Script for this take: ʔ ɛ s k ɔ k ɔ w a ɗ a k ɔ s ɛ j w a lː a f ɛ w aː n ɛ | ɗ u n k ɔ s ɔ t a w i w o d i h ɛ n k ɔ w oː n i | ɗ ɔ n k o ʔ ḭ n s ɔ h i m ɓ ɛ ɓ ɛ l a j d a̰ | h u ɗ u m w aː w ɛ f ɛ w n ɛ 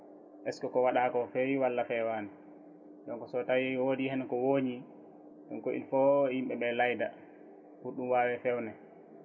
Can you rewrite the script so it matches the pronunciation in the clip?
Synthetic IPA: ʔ ɛ s k ɔ k ɔ w a ɗ a k ɔ f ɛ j w a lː a f ɛ w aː n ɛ | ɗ ɔ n k ɔ s ɔ t a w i w o d i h ɛ n k ɔ w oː ɲ i | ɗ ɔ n k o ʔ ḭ n f ɔ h i m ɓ ɛ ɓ ɛ l a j d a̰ | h u ɗ u m w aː w ɛ f ɛ w n ɛ